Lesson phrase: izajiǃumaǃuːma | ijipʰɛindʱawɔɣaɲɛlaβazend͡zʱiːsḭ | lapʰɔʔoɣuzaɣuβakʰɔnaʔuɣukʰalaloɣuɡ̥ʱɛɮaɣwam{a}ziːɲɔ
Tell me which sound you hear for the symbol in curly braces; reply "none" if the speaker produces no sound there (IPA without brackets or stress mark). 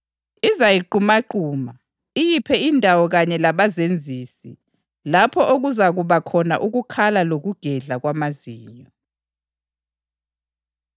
a